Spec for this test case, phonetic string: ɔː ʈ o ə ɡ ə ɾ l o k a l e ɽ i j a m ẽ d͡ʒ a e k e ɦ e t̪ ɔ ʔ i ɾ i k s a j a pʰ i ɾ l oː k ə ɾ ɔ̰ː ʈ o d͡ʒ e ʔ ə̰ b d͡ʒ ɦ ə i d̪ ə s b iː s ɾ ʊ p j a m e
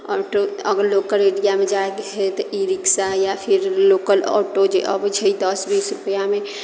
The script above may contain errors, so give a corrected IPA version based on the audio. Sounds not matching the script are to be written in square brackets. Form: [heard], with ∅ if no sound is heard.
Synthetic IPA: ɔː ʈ o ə ɡ ə ɾ l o k [ə] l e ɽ i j a m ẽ d͡ʒ a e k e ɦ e t̪ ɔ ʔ i ɾ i k s a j a pʰ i ɾ l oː k ə [l] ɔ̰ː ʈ o d͡ʒ e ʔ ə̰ b d͡ʒ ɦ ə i d̪ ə s b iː s ɾ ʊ p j a m e